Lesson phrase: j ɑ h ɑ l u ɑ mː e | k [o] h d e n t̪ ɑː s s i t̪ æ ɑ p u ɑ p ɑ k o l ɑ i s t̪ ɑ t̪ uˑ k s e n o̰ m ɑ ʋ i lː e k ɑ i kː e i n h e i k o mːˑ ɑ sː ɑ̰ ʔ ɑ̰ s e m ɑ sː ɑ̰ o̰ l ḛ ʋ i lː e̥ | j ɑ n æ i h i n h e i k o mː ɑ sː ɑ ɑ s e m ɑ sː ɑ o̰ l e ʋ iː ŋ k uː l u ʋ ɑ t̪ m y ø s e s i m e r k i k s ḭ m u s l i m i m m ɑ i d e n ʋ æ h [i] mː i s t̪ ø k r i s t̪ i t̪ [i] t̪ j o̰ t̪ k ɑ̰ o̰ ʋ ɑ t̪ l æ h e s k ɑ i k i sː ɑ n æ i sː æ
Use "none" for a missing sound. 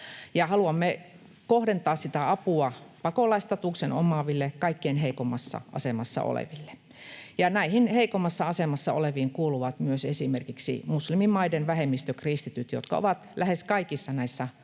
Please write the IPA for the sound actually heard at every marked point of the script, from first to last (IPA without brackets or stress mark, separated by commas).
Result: o, e, y